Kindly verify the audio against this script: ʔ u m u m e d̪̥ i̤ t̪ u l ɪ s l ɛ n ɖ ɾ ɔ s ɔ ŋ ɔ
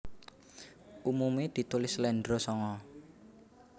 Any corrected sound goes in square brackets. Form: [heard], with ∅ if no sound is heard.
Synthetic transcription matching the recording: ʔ u m u m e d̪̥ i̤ t̪ u l ɪ s l ɛ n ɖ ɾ [o] s ɔ ŋ ɔ